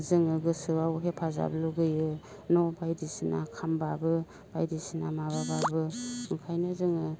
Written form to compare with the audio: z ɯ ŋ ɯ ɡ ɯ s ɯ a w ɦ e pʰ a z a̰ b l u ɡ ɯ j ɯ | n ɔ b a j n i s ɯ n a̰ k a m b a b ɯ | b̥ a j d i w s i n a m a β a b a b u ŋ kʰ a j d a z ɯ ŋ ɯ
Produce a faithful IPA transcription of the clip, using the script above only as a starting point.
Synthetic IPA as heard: z ɯ ŋ ɯ ɡ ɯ s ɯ a w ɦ e pʰ a z a̰ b l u ɡ ɯ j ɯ | n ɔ b a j d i s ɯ n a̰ kʰ a m b a b ɯ | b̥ a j d i s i n a m a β a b a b ɯ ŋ kʰ a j n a z ɯ ŋ ɯ